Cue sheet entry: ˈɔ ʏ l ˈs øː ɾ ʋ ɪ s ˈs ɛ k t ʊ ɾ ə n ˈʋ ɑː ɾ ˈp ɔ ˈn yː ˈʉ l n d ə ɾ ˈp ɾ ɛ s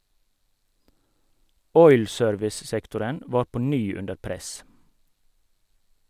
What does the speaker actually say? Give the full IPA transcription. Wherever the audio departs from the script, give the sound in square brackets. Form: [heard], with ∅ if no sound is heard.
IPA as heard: ˈɔ ʏ l ˈs øː ɾ ʋ ɪ s ˈs ɛ k t ʊ ɾ ə n ˈʋ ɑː ɾ ˈp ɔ ˈn yː ˈʉ [∅] n d ə ɾ ˈp ɾ ɛ s